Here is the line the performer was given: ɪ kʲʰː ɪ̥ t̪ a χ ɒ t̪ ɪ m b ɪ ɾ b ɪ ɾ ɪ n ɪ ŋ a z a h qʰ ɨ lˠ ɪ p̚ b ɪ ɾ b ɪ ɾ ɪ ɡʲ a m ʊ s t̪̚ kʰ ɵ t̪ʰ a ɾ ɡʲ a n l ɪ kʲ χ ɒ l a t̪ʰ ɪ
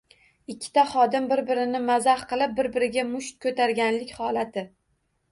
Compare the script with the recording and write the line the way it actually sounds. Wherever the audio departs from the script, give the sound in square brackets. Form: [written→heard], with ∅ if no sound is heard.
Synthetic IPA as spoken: ɪ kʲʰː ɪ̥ t̪ a χ ɒ [t̪→d̪] ɪ m b ɪ ɾ b ɪ ɾ ɪ n ɪ [ŋ→m] a z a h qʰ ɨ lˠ ɪ p̚ b ɪ ɾ b ɪ ɾ ɪ ɡʲ a m ʊ [s→ʃ] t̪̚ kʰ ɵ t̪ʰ a ɾ ɡʲ a n l ɪ kʲ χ ɒ l a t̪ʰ ɪ